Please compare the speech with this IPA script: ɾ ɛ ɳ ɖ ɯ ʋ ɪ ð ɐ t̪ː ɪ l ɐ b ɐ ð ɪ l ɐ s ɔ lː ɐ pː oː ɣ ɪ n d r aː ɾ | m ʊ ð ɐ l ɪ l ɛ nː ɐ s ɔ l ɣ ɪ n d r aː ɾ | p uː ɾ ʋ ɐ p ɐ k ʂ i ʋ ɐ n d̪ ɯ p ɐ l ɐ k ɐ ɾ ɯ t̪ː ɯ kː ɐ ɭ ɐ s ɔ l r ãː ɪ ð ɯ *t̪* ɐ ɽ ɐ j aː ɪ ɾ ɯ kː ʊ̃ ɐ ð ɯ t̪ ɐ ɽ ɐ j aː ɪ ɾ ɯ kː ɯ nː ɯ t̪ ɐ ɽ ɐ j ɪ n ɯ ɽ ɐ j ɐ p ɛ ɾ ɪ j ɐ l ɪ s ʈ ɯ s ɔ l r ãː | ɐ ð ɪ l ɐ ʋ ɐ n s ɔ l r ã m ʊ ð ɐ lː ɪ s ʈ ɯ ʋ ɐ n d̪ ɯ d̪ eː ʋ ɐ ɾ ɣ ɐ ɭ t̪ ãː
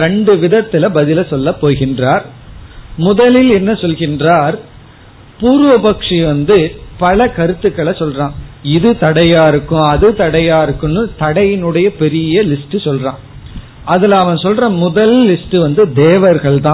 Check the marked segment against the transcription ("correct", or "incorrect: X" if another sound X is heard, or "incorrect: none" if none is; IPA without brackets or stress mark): correct